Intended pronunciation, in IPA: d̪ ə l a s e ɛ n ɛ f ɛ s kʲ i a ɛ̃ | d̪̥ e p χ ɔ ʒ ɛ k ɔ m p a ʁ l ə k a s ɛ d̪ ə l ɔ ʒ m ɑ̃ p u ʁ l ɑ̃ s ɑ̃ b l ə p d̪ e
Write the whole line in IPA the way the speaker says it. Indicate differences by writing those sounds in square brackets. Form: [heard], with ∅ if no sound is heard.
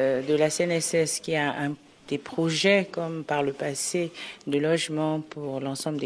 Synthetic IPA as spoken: d̪ ə l a s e ɛ n ɛ [s] ɛ s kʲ i a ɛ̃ | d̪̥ e p χ ɔ ʒ ɛ k ɔ m p a ʁ l ə [p] a s [e] d̪ ə l ɔ ʒ m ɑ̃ p u ʁ l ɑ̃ s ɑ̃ b l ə [∅] d̪ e